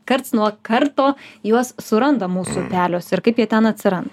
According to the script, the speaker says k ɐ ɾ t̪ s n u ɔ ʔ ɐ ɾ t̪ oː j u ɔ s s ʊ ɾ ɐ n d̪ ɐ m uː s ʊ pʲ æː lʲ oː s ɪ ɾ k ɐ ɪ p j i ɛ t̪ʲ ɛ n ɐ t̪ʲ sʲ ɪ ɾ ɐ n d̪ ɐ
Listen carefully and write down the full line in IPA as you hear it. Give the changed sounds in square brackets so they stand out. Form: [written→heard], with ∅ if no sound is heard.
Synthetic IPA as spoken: k ɐ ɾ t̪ s n u ɔ [ʔ→k] ɐ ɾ t̪ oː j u ɔ s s ʊ ɾ ɐ n d̪ ɐ m uː s ʊ pʲ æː lʲ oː s ɪ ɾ k ɐ ɪ p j i ɛ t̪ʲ ɛ n ɐ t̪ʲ sʲ ɪ ɾ ɐ n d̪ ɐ